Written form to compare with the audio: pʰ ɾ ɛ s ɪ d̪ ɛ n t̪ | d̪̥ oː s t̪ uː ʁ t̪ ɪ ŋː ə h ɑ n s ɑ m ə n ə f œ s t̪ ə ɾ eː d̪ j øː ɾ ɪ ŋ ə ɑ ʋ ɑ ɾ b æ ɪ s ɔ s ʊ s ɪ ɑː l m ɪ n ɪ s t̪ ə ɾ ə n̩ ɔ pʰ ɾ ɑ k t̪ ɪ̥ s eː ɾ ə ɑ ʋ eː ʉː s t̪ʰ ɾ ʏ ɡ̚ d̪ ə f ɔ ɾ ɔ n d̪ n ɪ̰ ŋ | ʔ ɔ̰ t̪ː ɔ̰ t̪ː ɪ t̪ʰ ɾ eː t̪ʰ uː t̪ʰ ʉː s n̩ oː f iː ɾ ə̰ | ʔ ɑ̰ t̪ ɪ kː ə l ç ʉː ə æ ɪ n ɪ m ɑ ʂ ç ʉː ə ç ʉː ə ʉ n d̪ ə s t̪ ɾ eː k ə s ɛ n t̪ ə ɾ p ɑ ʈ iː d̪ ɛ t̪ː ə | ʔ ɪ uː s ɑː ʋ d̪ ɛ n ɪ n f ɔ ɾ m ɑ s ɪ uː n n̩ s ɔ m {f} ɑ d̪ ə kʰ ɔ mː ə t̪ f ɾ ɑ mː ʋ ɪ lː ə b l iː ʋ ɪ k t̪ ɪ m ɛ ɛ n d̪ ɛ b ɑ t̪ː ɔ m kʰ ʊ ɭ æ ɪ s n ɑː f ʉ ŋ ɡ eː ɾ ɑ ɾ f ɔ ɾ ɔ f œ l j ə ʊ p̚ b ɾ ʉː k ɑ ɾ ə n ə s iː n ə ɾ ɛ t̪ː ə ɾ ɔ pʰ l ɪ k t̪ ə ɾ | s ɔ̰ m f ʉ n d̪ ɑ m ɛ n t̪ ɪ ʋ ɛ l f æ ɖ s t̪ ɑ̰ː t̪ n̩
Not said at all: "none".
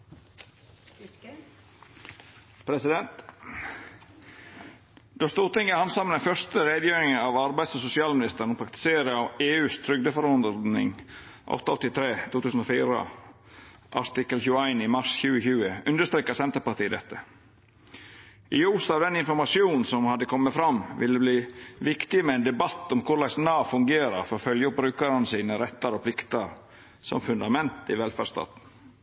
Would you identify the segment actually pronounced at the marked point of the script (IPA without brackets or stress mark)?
h